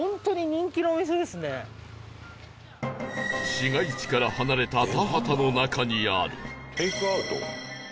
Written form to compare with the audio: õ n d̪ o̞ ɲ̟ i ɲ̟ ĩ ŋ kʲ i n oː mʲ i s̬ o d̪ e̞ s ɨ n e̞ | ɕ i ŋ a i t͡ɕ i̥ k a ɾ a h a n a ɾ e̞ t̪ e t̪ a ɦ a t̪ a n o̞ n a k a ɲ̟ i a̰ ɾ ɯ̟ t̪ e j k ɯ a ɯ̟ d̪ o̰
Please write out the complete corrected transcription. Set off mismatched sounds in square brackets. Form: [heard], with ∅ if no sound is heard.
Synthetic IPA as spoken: õ n [t̪] o̞ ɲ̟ i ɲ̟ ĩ ŋ kʲ i n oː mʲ i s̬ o d̪ e̞ s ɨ n e̞ | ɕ i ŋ a i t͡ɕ i̥ k a ɾ a h a n a ɾ e̞ t̪ [a] t̪ a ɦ a t̪ a n o̞ n a k a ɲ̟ i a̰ ɾ ɯ̟ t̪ e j k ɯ a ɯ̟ [t̪] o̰